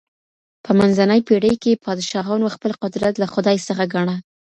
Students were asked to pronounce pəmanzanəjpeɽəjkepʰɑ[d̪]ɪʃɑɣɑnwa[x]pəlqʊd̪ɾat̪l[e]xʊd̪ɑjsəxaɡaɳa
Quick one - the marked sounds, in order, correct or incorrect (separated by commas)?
correct, correct, incorrect